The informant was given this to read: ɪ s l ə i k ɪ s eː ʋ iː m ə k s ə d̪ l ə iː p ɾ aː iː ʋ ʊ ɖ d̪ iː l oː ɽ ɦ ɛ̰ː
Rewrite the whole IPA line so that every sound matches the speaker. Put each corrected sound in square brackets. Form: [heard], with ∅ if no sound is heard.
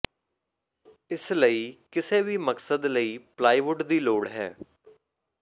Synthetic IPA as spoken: ɪ s l ə [iː] k ɪ s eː ʋ iː m ə k s ə d̪ l ə iː p [l] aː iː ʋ ʊ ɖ d̪ iː l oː ɽ ɦ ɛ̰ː